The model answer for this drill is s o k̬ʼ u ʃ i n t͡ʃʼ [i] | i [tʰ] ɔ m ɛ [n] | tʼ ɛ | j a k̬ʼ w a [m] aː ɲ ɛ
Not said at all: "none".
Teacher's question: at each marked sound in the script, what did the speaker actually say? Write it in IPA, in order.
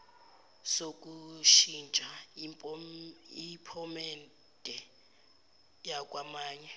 a, pʰ, n, m

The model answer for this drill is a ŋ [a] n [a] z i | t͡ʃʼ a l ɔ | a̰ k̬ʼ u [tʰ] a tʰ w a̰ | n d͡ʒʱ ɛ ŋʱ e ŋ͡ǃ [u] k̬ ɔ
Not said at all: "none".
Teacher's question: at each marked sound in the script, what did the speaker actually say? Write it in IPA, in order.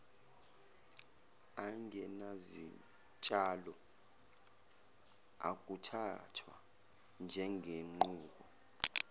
ɛ, a, tʰ, uː

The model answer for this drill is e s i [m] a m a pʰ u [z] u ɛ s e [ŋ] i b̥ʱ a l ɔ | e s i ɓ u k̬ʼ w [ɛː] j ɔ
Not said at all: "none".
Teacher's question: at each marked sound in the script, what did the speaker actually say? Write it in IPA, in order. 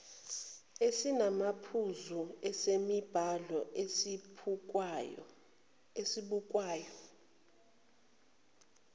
n, z, m, aː

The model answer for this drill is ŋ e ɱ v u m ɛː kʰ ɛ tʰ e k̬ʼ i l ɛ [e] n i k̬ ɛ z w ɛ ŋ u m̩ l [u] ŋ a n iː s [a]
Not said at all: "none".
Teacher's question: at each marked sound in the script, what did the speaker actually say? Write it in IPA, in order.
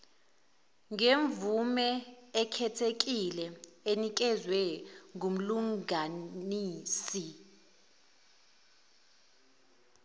e, u, i

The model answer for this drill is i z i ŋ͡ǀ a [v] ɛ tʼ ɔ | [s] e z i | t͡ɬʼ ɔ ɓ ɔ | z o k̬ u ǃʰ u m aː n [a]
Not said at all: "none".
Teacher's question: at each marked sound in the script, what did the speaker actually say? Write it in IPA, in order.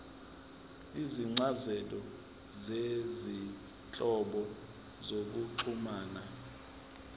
z, z, a

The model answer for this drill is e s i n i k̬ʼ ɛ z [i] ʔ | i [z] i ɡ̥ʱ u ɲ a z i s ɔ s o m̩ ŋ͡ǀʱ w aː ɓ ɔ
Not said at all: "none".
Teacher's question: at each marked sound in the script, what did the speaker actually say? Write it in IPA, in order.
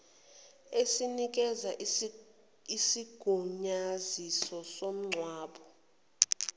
a, s

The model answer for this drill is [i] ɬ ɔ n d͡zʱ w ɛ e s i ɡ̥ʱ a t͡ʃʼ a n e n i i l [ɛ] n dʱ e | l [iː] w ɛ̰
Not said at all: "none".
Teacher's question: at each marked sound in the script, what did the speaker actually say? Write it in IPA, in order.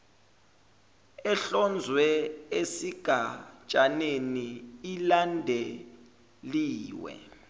ɛ, a, iː

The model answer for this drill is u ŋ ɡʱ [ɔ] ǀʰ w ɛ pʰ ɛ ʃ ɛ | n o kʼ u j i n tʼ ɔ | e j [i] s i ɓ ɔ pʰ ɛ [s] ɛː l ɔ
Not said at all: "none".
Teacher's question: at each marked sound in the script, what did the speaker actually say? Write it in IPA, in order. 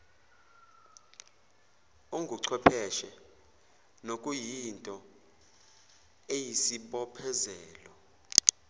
u, i, z

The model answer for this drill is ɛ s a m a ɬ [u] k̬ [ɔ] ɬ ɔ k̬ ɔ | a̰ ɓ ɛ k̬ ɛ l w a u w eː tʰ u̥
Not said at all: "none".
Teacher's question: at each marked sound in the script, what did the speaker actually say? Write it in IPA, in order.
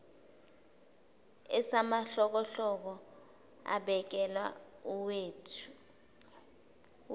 ɔ, ɔ

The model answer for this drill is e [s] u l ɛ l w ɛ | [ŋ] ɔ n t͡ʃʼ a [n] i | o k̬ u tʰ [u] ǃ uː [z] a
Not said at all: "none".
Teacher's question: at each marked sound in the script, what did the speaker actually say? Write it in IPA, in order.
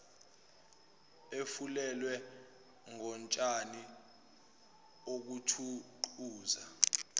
f, ŋ, n, u, z

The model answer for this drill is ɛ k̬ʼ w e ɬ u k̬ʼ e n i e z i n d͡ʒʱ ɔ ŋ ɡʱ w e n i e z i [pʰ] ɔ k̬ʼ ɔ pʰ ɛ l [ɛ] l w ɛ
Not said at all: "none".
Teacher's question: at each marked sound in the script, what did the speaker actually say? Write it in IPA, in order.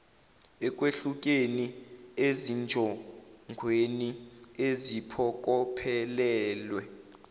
pʰ, ɛː

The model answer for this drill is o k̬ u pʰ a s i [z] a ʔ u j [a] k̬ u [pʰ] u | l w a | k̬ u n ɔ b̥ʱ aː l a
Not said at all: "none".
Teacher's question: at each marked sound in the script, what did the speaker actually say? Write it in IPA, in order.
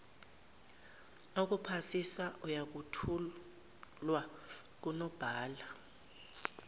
s, a, tʰ

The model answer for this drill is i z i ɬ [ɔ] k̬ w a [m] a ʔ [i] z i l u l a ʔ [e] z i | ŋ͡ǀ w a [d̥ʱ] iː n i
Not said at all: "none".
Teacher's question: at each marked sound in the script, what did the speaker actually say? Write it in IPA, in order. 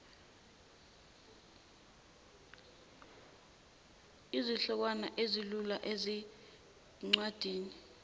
ɔ, n, e, e, d̥ʱ

